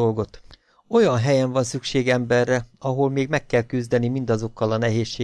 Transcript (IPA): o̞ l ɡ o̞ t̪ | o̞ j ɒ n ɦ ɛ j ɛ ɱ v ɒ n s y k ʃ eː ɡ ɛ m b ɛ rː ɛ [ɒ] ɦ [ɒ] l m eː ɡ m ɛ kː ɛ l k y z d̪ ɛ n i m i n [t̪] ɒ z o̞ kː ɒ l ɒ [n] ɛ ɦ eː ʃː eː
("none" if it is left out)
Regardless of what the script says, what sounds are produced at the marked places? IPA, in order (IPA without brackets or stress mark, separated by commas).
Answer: ɒ, o, d̪, n